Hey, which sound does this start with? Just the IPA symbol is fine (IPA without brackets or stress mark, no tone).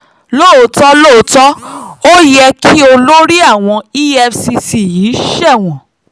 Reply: l